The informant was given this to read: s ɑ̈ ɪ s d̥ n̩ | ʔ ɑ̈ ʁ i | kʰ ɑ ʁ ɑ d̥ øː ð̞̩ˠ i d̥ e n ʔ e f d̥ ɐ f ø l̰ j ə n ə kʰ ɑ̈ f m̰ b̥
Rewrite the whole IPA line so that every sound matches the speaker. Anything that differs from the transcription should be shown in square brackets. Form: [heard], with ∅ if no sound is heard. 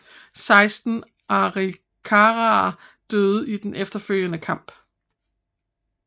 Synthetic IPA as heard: s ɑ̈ ɪ s d̥ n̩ | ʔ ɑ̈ ʁ i | kʰ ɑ ʁ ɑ d̥ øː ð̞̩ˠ i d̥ e n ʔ e f d̥ ɐ f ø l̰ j ə n ə kʰ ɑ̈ [∅] m̰ b̥